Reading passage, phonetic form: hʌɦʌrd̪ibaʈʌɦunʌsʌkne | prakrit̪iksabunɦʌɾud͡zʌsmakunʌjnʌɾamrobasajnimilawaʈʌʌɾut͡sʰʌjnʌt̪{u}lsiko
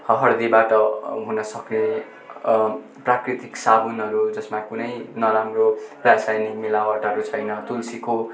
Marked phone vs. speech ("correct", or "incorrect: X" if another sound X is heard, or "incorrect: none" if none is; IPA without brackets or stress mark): correct